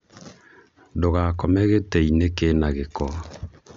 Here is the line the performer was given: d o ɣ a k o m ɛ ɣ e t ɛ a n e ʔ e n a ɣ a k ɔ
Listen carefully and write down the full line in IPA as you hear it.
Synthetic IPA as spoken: d o ɣ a k ɔ m ɛ ɣ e t ɛ i n e k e n a ɣ e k ɔ